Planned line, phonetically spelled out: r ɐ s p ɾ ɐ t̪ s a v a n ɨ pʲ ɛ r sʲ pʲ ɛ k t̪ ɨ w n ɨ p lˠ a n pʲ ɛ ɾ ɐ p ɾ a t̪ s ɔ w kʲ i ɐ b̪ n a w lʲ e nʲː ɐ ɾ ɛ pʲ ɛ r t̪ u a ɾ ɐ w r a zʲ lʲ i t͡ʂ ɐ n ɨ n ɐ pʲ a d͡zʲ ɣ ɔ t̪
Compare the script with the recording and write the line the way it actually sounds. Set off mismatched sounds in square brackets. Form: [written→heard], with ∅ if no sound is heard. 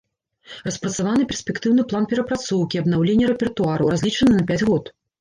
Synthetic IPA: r ɐ s p ɾ ɐ t̪ s a v a n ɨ pʲ ɛ r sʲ pʲ ɛ k t̪ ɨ w n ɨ p lˠ a n pʲ ɛ ɾ ɐ p ɾ a t̪ s ɔ w kʲ i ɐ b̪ n a w lʲ e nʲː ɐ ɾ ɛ pʲ ɛ r t̪ u a ɾ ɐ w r a zʲ lʲ i t͡ʂ ɐ n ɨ n ɐ pʲ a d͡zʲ ɣ ɔ t̪